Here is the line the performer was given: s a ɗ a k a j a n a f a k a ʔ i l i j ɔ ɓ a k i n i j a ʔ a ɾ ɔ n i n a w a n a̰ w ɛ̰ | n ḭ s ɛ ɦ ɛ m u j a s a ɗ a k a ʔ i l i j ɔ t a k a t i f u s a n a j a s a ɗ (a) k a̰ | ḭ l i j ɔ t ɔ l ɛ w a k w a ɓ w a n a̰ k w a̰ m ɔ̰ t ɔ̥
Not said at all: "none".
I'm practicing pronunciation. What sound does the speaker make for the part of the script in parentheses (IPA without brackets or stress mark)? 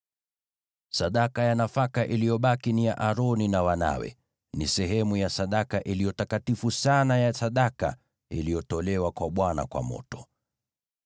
a